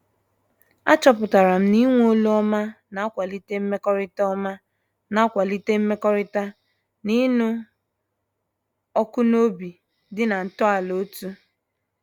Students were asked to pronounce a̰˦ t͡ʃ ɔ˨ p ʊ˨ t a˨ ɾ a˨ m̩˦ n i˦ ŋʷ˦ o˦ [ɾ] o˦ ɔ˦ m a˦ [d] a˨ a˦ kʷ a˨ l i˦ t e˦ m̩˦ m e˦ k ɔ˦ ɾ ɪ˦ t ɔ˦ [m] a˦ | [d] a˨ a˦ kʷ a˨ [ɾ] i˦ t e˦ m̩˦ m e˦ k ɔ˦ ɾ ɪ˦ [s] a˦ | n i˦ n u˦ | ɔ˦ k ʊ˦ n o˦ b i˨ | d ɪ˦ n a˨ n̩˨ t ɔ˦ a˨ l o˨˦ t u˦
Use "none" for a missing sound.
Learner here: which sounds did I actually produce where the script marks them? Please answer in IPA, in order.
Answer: l, n, m, n, l, t

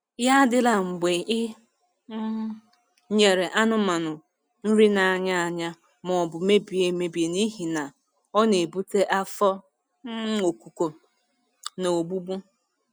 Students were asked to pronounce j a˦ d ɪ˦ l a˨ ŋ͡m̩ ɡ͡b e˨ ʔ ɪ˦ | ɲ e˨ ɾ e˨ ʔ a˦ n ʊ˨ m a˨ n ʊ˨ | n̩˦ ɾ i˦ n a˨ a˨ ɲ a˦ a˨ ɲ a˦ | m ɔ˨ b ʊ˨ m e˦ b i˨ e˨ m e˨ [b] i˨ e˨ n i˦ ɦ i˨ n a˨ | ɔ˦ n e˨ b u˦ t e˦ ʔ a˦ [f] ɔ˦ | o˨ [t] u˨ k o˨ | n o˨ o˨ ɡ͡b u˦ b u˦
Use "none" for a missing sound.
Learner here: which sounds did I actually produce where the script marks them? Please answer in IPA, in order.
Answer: b, f, k

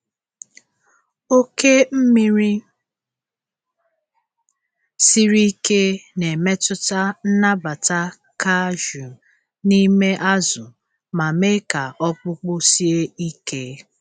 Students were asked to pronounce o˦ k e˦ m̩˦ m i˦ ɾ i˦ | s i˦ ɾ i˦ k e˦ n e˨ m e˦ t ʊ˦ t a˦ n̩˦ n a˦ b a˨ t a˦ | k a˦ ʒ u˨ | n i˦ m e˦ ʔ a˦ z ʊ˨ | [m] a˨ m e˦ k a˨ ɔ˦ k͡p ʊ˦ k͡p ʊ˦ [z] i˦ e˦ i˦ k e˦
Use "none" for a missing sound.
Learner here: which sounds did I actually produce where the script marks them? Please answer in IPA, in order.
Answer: m, s

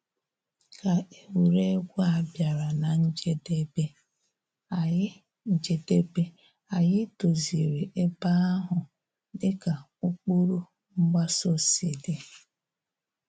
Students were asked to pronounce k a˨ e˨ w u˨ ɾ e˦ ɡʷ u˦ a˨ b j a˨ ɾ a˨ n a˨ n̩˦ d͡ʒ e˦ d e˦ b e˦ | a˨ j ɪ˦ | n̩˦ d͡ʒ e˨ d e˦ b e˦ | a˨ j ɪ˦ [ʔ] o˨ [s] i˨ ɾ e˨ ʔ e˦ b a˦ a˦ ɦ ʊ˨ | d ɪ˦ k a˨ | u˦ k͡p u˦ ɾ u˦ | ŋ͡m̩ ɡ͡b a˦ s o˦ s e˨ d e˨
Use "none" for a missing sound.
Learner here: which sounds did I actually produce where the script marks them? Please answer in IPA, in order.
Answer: t, z

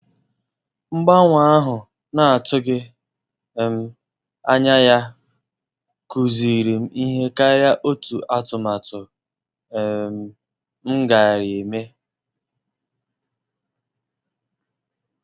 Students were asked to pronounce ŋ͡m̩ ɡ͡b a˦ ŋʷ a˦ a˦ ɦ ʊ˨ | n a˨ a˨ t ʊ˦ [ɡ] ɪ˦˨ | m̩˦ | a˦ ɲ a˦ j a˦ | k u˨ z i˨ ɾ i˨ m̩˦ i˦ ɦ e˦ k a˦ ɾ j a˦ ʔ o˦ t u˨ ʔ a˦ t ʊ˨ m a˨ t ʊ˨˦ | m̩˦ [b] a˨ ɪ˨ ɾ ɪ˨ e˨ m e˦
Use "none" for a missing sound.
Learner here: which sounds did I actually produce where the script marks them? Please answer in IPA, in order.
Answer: ɡ, ɡ

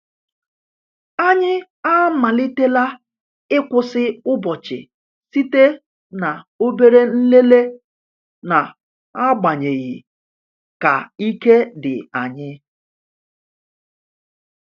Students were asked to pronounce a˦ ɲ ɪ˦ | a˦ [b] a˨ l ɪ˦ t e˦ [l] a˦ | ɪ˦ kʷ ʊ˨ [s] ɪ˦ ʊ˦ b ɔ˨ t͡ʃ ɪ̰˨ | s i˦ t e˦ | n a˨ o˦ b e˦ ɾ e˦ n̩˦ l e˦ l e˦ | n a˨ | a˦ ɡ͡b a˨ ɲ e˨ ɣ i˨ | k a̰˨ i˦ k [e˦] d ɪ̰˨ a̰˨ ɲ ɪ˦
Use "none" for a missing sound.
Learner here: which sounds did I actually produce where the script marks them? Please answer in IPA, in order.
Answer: m, l, s, e˦

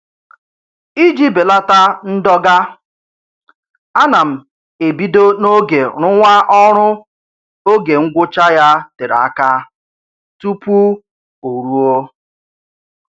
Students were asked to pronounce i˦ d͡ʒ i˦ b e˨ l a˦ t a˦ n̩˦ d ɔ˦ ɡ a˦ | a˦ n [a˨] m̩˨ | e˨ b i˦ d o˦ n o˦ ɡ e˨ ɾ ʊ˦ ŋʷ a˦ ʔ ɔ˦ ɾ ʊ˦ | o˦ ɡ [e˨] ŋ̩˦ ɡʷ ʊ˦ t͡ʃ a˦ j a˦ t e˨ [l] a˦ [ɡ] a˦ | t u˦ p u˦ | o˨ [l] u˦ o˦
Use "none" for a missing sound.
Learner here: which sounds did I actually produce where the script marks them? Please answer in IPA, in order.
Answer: a˨, e˨, ɾ, k, ɾ

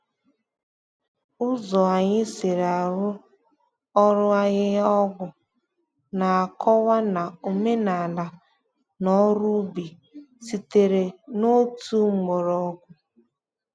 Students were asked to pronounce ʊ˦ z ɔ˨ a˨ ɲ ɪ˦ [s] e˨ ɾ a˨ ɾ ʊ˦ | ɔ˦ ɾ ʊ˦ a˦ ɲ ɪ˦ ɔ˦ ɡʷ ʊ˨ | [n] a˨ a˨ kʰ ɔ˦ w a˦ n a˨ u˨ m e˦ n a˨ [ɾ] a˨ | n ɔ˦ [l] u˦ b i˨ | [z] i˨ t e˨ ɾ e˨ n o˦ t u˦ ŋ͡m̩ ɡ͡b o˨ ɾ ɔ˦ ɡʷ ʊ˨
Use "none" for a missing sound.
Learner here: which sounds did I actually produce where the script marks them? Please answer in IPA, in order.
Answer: s, n, l, ɾ, s

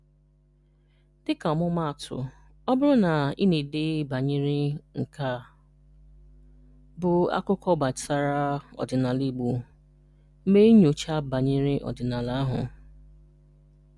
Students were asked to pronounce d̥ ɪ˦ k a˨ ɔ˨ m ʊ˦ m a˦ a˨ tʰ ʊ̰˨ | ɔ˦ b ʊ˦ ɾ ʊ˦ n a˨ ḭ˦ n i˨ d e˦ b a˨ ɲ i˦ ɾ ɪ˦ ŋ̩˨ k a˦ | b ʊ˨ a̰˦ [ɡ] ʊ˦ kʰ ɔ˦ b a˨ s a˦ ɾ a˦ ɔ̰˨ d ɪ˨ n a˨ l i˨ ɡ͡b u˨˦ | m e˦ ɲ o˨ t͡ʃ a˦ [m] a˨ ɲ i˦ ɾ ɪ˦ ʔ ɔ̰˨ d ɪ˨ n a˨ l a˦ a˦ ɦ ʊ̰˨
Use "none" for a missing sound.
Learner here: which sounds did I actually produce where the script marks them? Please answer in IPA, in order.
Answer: k, b

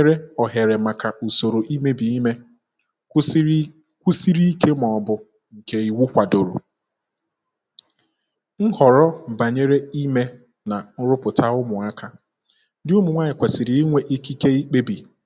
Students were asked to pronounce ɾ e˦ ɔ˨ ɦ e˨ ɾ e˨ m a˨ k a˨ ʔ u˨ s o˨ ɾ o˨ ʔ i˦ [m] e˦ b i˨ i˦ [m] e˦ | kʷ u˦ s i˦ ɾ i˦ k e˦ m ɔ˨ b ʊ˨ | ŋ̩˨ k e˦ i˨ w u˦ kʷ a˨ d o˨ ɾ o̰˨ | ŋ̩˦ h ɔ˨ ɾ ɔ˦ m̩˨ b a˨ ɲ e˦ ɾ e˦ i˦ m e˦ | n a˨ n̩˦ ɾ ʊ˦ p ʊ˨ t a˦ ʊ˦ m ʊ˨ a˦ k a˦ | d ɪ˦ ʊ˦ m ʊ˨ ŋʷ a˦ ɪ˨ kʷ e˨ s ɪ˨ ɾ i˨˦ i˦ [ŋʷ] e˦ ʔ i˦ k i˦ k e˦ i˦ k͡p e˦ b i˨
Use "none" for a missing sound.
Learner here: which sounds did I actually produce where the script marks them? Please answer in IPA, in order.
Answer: m, m, ŋʷ

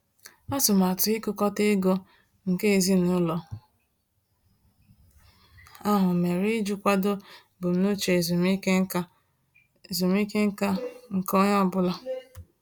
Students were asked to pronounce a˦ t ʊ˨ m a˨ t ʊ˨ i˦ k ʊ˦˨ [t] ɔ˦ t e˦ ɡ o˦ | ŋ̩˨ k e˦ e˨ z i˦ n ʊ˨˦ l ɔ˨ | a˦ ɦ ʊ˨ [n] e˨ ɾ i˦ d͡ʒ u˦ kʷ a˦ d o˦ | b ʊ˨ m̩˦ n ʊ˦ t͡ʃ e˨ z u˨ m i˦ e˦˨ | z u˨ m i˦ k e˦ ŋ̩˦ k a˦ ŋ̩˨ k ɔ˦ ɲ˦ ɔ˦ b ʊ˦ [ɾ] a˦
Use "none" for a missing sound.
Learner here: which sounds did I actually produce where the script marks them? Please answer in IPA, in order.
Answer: k, m, l

